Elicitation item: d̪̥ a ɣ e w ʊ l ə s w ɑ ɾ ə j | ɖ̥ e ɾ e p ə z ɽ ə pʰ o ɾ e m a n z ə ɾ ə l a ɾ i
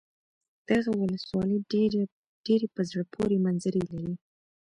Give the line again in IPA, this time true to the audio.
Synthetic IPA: d̪̥ a ɣ a w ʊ l ə s w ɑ l ə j | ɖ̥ e ɾ e p ə z ɽ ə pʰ o ɾ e m a n z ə ɾ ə l a ɾ i